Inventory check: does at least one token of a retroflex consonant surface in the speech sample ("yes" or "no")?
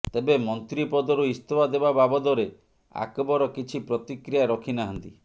no